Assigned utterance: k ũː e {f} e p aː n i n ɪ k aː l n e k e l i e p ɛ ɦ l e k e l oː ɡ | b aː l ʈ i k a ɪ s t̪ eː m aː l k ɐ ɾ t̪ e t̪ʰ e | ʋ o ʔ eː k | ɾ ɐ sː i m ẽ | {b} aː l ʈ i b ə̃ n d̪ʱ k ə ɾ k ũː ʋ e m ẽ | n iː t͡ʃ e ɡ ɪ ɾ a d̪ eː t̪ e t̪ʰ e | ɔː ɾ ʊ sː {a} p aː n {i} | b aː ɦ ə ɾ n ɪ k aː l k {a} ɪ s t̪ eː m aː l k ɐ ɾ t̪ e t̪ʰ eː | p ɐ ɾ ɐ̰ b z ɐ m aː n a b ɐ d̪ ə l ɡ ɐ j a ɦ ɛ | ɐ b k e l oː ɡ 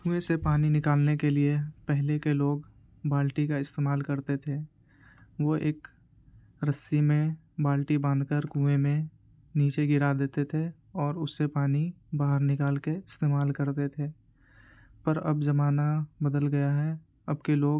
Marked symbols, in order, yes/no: no, yes, no, yes, no

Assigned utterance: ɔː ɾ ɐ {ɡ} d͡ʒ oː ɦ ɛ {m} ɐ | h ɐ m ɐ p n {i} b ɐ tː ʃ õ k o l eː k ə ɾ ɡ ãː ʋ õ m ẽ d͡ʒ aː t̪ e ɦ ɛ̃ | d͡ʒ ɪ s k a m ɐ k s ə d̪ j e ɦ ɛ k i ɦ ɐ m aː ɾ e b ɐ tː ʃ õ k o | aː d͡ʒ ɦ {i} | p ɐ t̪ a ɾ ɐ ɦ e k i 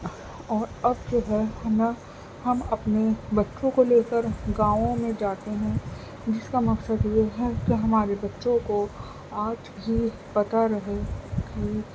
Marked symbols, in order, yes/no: no, no, no, yes

